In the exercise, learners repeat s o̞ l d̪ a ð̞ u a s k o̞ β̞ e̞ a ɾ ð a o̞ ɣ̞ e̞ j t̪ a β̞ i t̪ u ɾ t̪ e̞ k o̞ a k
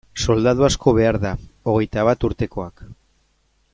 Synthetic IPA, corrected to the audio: s o̞ l d̪ a ð̞ u a s k o̞ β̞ e̞ a ɾ ð a o̞ ɣ̞ e̞ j t̪ a β̞ a t̪ u ɾ t̪ e̞ k o̞ a k